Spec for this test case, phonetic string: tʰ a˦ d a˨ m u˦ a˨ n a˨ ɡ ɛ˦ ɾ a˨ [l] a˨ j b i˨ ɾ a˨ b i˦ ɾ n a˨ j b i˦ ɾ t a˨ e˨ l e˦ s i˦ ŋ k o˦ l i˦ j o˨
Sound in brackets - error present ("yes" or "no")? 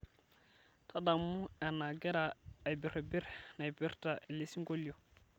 yes